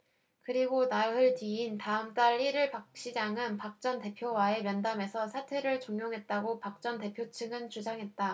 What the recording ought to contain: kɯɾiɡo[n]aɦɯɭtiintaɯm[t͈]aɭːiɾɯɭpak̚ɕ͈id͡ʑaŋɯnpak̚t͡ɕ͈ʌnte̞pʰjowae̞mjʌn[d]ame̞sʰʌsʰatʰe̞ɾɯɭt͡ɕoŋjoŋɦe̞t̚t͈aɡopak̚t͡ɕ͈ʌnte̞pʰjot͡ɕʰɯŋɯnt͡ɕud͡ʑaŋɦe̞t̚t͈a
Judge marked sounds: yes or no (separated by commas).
yes, yes, yes